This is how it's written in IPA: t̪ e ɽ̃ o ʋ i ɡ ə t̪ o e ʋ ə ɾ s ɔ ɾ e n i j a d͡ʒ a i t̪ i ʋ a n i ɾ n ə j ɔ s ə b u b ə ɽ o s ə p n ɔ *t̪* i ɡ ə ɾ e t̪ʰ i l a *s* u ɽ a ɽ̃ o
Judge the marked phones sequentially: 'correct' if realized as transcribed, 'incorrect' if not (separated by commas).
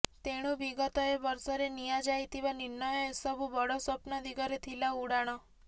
incorrect, incorrect